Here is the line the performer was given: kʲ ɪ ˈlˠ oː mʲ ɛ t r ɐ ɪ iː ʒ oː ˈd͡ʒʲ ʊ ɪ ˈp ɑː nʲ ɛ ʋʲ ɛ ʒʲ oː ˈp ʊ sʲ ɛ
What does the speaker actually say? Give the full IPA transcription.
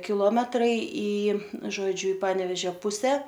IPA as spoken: kʲ ɪ ˈlˠ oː mʲ ɛ t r ɐ ɪ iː ʒ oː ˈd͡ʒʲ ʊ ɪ ˈp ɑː nʲ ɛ ʋʲ ɛ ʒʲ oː ˈp ʊ sʲ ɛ